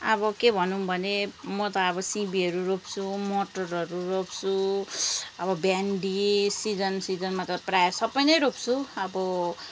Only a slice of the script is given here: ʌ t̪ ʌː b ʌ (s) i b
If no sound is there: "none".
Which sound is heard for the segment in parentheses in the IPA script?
s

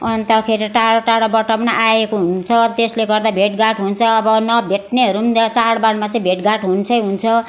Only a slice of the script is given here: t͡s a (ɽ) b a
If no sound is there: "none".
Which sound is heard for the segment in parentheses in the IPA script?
ɽ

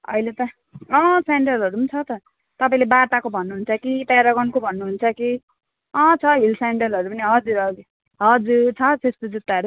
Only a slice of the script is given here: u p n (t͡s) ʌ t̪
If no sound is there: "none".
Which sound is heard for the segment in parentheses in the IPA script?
t͡sʰ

